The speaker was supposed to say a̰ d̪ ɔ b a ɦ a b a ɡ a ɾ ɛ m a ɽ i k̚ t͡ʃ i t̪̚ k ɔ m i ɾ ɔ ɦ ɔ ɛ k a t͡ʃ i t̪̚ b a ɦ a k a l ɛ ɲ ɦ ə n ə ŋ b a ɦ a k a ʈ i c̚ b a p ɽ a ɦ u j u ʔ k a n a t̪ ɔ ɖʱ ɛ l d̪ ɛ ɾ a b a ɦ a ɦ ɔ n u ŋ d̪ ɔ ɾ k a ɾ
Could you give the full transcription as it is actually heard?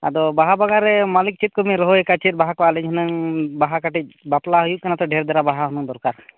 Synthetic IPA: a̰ d̪ ɔ b a ɦ a b a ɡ a ɾ ɛ m a l i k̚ t͡ʃ i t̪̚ k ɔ m i ɾ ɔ ɦ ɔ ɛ k a t͡ʃ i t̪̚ b a ɦ a k a l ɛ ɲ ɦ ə n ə ŋ b a ɦ a k a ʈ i c̚ b a p l a ɦ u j u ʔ k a n a t̪ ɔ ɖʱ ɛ ɾ d̪ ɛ ɾ a b a ɦ a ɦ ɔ n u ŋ d̪ ɔ ɾ k a ɾ